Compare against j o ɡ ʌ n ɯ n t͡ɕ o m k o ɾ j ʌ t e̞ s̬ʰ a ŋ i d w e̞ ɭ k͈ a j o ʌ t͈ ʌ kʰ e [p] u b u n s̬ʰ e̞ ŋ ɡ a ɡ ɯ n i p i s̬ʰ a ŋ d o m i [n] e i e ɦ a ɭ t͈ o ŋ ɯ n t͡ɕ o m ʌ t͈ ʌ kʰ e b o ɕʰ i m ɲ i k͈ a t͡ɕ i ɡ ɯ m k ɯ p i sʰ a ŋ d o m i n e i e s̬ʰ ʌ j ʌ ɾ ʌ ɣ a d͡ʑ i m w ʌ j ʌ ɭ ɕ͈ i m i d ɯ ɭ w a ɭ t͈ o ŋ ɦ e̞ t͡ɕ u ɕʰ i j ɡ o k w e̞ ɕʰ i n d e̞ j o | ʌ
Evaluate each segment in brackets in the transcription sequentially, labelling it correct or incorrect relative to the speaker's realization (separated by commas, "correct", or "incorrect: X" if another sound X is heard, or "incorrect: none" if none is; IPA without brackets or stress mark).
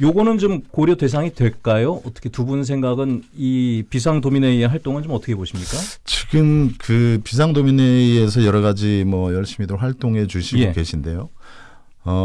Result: incorrect: t, correct